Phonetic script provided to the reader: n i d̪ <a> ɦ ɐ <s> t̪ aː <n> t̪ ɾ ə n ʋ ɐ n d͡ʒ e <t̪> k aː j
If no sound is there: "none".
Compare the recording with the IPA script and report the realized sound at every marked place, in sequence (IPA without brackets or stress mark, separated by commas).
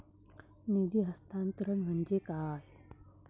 i, s, n, none